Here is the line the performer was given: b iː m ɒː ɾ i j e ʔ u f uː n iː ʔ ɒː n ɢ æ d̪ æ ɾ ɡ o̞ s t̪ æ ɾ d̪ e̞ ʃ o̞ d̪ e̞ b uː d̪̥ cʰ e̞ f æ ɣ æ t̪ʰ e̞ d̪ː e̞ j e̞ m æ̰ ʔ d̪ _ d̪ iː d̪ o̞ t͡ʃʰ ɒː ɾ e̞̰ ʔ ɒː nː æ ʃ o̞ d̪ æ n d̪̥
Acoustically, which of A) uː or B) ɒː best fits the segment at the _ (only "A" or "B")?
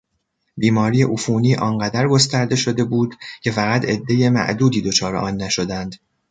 A